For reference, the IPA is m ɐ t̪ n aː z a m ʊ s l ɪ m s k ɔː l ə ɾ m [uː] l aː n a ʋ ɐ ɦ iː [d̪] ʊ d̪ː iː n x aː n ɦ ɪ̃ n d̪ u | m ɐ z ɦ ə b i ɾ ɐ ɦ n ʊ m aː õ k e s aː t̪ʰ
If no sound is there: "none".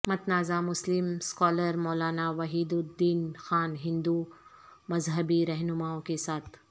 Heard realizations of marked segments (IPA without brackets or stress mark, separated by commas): ɔː, d̪